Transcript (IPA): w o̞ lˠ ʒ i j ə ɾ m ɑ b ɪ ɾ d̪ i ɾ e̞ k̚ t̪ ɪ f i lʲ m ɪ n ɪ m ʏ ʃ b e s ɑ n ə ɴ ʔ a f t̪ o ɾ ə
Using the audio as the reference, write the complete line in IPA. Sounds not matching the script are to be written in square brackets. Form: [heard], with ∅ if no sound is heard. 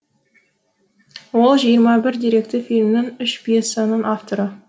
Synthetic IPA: w o̞ lˠ ʒ i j ə ɾ m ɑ b ɪ ɾ d̪ i ɾ e̞ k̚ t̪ ɪ f i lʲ m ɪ n ɪ [ŋ] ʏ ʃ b e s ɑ n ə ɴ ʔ a f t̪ o ɾ ə